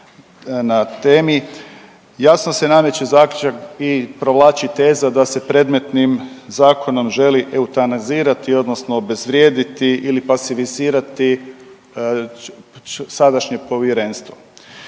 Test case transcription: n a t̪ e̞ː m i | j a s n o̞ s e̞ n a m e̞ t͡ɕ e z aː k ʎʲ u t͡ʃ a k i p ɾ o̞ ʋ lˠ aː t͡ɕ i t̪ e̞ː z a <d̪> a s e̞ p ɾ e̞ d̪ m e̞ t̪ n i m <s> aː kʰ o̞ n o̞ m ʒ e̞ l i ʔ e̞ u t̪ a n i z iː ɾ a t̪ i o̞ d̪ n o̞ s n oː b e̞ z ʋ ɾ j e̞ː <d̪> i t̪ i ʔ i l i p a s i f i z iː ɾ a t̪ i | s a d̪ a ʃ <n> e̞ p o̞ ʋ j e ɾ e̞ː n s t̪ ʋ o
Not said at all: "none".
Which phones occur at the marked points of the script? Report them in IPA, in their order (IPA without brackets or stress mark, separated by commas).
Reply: d̪, z, d̪, ɲ